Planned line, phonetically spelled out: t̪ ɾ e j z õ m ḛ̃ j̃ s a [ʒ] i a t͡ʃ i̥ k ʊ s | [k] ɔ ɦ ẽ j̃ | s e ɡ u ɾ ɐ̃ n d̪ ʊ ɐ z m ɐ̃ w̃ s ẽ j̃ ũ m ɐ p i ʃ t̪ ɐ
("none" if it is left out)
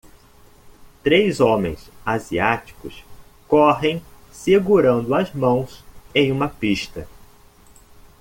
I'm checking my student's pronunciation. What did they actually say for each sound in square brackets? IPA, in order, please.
z, k

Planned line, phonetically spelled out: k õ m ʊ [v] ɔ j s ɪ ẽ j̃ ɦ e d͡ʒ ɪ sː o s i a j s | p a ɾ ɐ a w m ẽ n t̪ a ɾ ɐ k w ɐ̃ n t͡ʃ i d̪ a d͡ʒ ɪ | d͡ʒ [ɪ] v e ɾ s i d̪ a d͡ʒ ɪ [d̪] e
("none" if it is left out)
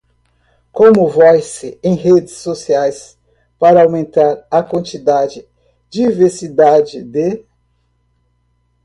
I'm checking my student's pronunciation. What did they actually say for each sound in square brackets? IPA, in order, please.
v, i, d̪

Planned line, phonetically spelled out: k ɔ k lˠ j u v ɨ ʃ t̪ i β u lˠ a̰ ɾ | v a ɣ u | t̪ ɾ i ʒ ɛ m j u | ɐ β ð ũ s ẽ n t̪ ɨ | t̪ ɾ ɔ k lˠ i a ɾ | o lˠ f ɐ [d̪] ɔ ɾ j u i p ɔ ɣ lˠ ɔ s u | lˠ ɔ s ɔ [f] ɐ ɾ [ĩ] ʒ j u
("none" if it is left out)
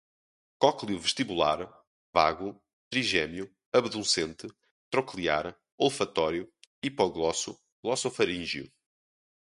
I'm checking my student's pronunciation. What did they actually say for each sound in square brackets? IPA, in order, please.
t̪, f, ĩ

